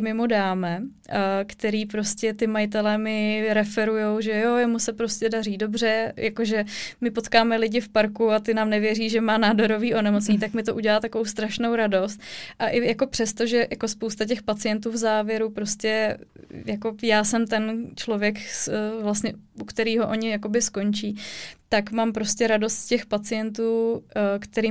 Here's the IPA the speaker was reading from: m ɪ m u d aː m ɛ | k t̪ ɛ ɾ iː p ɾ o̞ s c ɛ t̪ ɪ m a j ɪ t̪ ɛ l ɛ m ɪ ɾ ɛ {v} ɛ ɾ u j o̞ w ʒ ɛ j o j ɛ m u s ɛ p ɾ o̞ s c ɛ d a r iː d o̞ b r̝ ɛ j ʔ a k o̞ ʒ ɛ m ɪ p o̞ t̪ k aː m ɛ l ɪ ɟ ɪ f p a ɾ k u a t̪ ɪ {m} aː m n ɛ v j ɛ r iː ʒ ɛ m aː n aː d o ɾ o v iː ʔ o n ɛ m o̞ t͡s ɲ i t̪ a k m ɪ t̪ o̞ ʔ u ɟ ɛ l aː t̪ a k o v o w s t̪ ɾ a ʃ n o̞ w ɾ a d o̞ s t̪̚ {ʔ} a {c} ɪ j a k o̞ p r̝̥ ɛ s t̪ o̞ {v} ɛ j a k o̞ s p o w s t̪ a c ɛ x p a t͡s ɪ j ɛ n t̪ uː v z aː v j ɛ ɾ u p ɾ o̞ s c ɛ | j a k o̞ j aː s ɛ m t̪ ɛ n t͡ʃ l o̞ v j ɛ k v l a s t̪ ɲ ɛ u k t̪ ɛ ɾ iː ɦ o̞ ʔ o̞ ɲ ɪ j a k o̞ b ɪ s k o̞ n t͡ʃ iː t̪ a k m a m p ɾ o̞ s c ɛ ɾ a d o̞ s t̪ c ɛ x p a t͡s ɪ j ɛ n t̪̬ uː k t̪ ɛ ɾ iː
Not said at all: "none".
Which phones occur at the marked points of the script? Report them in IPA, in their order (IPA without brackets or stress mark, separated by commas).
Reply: f, n, ʔ, ʔ, ʒ